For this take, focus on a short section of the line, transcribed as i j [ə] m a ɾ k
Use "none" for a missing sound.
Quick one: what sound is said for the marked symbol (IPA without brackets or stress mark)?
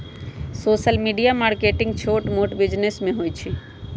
a